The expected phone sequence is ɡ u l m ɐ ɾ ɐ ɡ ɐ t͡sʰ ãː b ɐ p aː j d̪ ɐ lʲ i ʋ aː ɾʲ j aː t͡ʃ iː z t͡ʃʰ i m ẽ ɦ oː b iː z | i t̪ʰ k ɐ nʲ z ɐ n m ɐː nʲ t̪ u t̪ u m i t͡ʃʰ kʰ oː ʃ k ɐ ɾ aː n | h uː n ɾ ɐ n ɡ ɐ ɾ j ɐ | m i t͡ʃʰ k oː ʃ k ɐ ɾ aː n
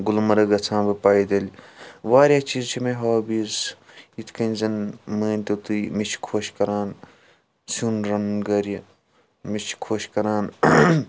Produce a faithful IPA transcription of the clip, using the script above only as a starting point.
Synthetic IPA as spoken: ɡ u l m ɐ ɾ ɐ ɡ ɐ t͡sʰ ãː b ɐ p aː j d̪ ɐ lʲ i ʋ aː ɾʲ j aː t͡ʃ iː z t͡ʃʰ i m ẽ ɦ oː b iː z | i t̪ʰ k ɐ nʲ z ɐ n m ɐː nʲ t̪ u t̪ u m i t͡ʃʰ kʰ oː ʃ k ɐ ɾ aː n | s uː n ɾ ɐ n ɡ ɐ ɾ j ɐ | m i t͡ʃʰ kʰ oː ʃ k ɐ ɾ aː n